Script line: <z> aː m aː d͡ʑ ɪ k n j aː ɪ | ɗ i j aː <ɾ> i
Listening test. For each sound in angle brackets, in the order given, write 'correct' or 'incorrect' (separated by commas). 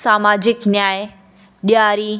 incorrect, correct